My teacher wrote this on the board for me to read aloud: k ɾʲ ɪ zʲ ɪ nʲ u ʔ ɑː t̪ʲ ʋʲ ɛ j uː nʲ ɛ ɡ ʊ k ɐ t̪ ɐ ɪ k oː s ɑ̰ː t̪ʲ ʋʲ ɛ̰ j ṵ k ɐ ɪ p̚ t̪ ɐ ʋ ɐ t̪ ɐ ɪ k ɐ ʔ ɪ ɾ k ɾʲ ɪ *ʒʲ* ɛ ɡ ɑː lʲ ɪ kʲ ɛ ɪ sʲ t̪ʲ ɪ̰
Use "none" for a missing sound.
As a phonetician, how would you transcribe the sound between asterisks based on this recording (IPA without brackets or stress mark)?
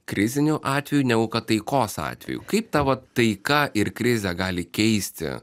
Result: zʲ